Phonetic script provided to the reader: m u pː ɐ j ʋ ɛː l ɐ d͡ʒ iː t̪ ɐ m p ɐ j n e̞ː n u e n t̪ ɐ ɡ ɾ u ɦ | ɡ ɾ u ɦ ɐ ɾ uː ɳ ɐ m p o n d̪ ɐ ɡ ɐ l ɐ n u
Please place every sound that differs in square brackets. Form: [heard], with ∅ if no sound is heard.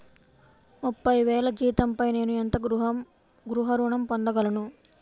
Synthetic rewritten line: m u pː ɐ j ʋ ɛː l ɐ d͡ʒ iː t̪ ɐ m p ɐ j n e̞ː n u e n t̪ ɐ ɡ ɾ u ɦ | ɡ ɾ u ɦ ɐ ɾ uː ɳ ɐ m p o n d̪ ɐ ɡ ɐ l ɐ n u

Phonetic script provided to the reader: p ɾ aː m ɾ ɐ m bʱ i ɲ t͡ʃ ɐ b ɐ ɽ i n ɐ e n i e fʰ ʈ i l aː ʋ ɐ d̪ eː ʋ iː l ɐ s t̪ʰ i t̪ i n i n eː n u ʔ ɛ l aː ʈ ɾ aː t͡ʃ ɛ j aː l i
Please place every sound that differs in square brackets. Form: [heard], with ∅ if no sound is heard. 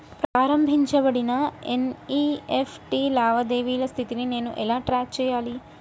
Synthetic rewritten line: p ɾ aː [∅] ɾ ɐ m bʱ i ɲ t͡ʃ ɐ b ɐ ɽ i n ɐ e n i e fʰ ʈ i l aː ʋ ɐ d̪ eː ʋ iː l ɐ s t̪ʰ i t̪ i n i n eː n u ʔ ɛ l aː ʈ ɾ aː t͡ʃ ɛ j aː l i

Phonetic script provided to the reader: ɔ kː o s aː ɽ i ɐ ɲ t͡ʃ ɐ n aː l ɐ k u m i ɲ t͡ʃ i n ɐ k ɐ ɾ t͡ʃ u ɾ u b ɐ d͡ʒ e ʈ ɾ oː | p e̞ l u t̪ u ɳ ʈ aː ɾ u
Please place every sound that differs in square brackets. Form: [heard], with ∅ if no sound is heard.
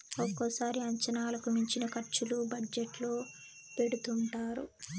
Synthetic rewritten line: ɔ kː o s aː [ɾ] i ɐ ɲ t͡ʃ ɐ n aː l ɐ k u m i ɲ t͡ʃ i n ɐ k ɐ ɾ t͡ʃ u [l] u b ɐ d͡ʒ e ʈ [l] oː | p e̞ [ɽ] u t̪ u ɳ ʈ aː ɾ u

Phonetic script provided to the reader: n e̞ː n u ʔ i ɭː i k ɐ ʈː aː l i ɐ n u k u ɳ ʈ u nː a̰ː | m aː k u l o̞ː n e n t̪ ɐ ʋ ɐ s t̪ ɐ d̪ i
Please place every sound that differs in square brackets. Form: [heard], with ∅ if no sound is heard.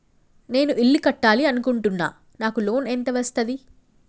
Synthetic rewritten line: n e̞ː n u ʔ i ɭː i k ɐ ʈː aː l i ɐ n u k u ɳ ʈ u nː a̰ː | [n] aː k u l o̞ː n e n t̪ ɐ ʋ ɐ s t̪ ɐ d̪ i

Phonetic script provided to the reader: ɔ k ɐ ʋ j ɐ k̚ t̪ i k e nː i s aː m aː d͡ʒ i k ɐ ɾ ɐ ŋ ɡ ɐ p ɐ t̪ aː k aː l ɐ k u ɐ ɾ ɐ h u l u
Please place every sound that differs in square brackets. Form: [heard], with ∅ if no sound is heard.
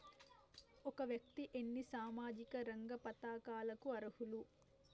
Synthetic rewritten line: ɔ k ɐ ʋ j ɐ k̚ t̪ i [ʔ] e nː i s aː m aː d͡ʒ i k ɐ ɾ ɐ ŋ ɡ ɐ p ɐ t̪ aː k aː l ɐ k u ɐ ɾ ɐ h u l u

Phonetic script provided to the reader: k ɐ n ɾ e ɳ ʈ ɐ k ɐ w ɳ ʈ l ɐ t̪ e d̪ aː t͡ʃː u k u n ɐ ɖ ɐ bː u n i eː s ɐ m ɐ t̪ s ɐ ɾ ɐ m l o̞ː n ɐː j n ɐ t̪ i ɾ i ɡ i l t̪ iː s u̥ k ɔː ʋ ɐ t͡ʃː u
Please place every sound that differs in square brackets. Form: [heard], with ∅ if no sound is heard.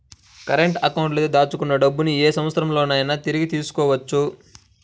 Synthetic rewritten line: k ɐ [∅] ɾ e ɳ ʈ ɐ k ɐ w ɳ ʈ l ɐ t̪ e d̪ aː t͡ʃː u k u [nː] ɐ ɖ ɐ bː u n i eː s ɐ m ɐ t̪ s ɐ ɾ ɐ m l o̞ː n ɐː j n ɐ t̪ i ɾ i ɡ i [∅] t̪ iː s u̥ k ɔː ʋ ɐ t͡ʃː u

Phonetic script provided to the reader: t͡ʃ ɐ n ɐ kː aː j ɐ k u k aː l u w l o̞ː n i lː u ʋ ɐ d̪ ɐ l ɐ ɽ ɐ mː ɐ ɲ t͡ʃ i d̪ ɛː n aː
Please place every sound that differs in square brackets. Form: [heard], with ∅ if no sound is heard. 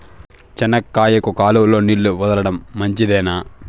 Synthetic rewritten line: t͡ʃ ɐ n ɐ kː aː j ɐ k u k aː l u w l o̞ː n i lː u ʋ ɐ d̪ ɐ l ɐ ɽ ɐ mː ɐ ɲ t͡ʃ i d̪ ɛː n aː

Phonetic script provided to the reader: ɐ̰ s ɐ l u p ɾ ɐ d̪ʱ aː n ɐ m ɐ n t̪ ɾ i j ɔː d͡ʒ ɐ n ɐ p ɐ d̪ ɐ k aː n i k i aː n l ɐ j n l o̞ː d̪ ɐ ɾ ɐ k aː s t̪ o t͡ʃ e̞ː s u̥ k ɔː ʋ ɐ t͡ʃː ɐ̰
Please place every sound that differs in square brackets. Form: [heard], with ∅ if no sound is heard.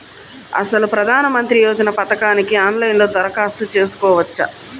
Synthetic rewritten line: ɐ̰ s ɐ l u p ɾ ɐ d̪ʱ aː n ɐ m ɐ n t̪ ɾ i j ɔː d͡ʒ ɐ n ɐ p ɐ [t̪] ɐ k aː n i k i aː n l ɐ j n l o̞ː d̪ ɐ ɾ ɐ k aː s t̪ [u] t͡ʃ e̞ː s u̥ k ɔː ʋ ɐ t͡ʃː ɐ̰

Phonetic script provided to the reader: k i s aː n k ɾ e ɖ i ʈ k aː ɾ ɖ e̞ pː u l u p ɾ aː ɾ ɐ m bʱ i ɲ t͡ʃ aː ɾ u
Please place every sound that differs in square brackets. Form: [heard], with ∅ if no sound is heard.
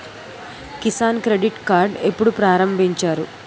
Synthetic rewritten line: k i s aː n k ɾ e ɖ i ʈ k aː ɾ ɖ e̞ pː u [ɽ] u p ɾ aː ɾ ɐ m bʱ i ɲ t͡ʃ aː ɾ u

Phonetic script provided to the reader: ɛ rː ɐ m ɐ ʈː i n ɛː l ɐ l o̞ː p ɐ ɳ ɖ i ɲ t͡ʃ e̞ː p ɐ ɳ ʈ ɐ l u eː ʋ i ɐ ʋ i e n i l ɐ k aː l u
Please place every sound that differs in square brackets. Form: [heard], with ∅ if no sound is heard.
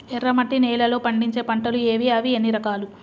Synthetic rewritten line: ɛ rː ɐ m ɐ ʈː i n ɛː l ɐ l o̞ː p ɐ ɳ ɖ i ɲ t͡ʃ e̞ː p ɐ ɳ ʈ ɐ l u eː ʋ i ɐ ʋ i e [nː] i [ɾ] ɐ k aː l u

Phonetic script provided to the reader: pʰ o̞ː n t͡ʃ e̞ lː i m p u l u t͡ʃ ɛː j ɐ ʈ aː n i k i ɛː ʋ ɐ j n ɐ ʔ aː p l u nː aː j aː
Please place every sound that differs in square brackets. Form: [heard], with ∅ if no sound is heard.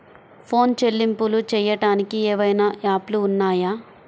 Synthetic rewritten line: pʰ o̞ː n t͡ʃ e̞ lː i m p u l u t͡ʃ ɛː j ɐ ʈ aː n i k i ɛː ʋ ɐ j n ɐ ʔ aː p l [uː] nː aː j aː

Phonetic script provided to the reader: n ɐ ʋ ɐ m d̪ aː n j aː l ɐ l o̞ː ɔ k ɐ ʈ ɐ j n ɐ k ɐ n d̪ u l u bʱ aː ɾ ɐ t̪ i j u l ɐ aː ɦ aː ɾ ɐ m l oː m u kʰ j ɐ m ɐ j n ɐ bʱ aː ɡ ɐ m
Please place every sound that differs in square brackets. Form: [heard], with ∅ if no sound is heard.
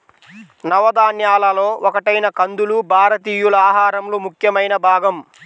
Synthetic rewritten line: n ɐ ʋ ɐ [∅] d̪ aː n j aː l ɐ l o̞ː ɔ k ɐ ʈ ɐ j n ɐ k ɐ n d̪ u l u bʱ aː ɾ ɐ t̪ [iː] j u l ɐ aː ɦ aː ɾ ɐ m l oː m u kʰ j ɐ m ɐ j n ɐ bʱ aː ɡ ɐ m

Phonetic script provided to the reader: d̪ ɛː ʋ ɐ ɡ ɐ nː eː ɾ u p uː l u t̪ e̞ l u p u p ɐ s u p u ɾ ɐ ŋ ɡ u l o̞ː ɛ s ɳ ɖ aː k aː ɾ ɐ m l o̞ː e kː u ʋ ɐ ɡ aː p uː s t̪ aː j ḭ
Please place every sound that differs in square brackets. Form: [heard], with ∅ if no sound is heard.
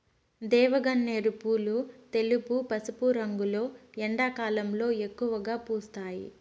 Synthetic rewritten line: d̪ ɛː ʋ ɐ ɡ ɐ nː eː ɾ u p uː l u t̪ e̞ l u p u p ɐ s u p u ɾ ɐ ŋ ɡ u l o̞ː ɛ [∅] ɳ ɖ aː k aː [l] ɐ m l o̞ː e kː u ʋ ɐ ɡ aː p uː s t̪ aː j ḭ

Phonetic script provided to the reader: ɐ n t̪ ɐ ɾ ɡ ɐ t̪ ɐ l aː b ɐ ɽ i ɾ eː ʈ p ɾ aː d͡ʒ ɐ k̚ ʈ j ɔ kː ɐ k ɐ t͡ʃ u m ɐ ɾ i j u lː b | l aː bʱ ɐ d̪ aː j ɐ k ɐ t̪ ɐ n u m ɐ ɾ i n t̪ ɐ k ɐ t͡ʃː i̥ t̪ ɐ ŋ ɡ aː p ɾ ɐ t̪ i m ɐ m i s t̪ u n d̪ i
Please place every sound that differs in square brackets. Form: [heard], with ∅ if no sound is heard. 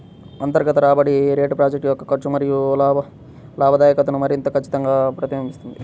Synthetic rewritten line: ɐ n t̪ ɐ ɾ ɡ ɐ t̪ ɐ [ɾ] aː b ɐ ɽ i ɾ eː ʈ p ɾ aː d͡ʒ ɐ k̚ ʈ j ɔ kː ɐ k ɐ t͡ʃ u m ɐ ɾ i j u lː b | l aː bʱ ɐ d̪ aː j ɐ k ɐ t̪ ɐ n u m ɐ ɾ i n t̪ ɐ k ɐ t͡ʃː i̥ t̪ ɐ ŋ ɡ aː p ɾ ɐ t̪ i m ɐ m i s t̪ u n d̪ i

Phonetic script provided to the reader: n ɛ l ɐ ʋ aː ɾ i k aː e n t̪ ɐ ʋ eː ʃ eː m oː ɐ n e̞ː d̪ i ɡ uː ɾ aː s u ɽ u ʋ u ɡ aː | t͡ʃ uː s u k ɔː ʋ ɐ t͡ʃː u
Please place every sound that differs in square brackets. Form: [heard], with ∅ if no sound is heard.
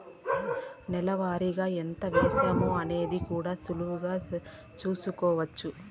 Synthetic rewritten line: n ɛ l ɐ ʋ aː ɾ i [ɡ] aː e n t̪ ɐ ʋ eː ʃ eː m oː ɐ n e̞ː d̪ i [k] uː [ɽ] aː s u [l] u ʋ u ɡ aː | t͡ʃ uː s u k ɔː ʋ ɐ t͡ʃː u

